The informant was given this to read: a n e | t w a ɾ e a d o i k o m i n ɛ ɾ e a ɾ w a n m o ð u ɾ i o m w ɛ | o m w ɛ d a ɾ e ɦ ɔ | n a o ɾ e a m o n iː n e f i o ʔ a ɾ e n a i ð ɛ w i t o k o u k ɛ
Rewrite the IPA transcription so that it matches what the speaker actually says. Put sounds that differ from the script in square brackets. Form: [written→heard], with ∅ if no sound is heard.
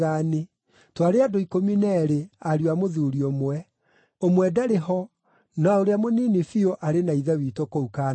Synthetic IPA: a n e | t w a ɾ e a d o i k o m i n ɛ ɾ e a ɾ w a [n→∅] m o ð u ɾ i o m w ɛ | o m w ɛ d a ɾ e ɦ ɔ | n a o ɾ e a m o n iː n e f i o ʔ a ɾ e n a i ð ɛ w i t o k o u k [ɛ→a]